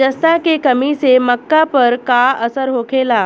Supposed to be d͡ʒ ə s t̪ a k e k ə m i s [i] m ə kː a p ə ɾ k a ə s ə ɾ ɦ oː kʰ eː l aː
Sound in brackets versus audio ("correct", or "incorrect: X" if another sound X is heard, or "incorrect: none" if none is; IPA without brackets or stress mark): incorrect: e